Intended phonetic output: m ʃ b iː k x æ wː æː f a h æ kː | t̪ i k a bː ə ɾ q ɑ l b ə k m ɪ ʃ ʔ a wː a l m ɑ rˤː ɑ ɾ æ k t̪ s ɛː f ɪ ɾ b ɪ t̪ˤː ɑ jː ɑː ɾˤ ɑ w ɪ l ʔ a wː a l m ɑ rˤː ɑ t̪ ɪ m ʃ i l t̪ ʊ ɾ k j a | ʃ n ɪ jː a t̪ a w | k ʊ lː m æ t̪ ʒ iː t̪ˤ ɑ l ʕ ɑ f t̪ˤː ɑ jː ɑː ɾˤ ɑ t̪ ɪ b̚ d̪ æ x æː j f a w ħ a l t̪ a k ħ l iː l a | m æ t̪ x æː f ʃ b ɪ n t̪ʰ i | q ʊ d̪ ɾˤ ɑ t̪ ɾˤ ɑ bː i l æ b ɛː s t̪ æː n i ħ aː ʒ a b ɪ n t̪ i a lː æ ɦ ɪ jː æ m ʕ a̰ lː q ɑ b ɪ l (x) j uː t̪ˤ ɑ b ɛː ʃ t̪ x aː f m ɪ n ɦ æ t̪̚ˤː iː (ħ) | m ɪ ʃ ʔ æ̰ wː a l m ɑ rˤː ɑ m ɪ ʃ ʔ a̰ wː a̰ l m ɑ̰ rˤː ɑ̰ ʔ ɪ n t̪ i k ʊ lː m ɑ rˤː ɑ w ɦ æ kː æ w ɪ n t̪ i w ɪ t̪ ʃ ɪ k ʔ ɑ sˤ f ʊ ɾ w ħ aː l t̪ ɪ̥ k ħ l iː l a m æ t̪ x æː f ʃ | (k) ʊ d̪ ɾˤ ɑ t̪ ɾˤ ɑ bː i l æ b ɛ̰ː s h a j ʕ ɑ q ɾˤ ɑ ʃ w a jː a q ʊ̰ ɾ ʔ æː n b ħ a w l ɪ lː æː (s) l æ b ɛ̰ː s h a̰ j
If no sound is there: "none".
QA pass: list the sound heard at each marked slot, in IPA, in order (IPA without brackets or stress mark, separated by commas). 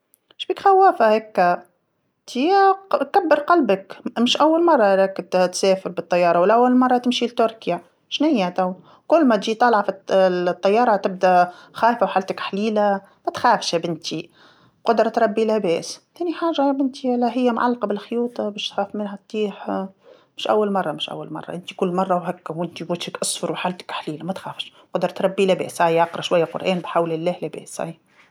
x, ħ, q, h